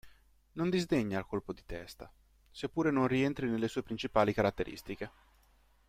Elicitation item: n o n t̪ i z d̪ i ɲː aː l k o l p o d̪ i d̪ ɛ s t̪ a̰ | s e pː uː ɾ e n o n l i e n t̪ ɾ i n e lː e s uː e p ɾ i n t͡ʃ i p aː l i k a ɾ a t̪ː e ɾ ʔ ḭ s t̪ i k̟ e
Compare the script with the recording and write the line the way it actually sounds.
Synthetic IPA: n o n d̪ i z d̪ e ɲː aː l k o l p o d̪ i t̪ ɛ s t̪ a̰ | s e pː uː ɾ e n o n r i e n t̪ ɾ i n e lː e s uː e p ɾ i n t͡ʃ i p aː l i k a ɾ a t̪ː e ɾ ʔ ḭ s t̪ i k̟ e